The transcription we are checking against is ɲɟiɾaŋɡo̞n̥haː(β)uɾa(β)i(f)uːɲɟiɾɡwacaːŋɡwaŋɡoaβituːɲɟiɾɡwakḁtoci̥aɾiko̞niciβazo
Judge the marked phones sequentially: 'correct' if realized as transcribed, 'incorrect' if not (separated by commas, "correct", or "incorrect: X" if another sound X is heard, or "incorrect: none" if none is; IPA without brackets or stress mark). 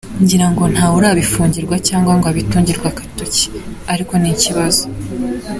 incorrect: none, correct, correct